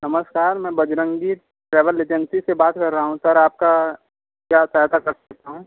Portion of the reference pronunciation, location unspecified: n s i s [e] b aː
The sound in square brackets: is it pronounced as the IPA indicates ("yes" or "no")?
yes